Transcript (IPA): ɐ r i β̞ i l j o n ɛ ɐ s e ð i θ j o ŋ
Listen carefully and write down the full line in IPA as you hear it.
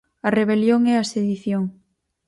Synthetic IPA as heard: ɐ r e β̞ e l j o ŋ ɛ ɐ s e ð i θ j o ŋ